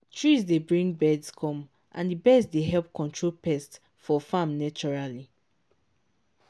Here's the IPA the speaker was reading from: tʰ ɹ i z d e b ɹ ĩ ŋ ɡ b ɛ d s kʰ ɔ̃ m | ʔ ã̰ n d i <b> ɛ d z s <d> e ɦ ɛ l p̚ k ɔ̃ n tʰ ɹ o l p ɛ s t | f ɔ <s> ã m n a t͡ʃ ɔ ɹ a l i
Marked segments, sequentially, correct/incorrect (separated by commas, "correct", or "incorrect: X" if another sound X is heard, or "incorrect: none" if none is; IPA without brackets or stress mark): correct, correct, incorrect: f